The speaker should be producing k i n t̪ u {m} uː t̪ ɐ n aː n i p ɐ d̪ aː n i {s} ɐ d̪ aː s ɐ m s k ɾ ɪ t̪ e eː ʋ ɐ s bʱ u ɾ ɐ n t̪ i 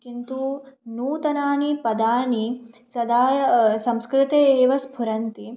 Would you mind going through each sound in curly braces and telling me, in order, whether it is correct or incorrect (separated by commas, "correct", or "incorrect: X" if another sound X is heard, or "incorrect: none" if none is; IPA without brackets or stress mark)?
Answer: incorrect: n, correct